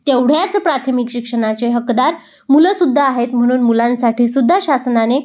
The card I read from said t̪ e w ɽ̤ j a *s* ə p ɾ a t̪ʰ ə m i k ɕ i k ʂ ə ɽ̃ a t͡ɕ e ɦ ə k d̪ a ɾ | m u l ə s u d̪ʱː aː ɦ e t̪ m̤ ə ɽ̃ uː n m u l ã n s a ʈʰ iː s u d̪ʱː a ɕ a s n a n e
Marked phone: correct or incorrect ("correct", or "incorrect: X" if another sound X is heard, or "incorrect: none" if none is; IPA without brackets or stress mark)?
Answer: incorrect: t͡s